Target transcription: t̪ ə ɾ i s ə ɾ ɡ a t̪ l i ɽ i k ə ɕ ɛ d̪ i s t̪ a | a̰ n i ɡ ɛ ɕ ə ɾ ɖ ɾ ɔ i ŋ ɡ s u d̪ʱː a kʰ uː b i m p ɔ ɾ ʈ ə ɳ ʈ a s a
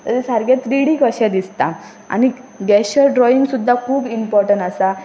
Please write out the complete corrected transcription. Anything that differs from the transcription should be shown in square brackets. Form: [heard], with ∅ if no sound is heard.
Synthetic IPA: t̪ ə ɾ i s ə ɾ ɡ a t̪ [ɾ] i ɽ i k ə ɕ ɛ d̪ i s t̪ a | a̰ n i ɡ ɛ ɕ ə ɾ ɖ ɾ ɔ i ŋ ɡ s u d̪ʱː a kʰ uː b i m p ɔ ɾ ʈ ə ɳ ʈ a s a